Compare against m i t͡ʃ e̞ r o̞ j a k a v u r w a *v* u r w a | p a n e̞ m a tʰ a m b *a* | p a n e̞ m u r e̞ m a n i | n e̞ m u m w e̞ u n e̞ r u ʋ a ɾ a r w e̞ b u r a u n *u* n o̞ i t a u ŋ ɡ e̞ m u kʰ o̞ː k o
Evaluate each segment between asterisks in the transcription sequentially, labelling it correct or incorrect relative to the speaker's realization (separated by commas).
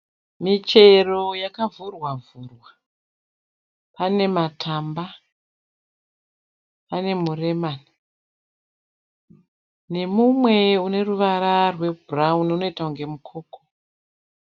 correct, correct, correct